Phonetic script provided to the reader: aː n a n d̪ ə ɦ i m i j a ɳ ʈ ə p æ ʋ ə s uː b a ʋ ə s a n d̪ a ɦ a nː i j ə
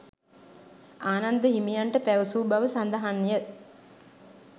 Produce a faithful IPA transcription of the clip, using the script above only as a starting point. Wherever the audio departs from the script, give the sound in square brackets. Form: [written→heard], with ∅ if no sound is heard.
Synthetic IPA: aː n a n d̪ ə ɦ i m i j a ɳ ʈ ə p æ ʋ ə s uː b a ʋ ə s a n d̪ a ɦ a nː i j ə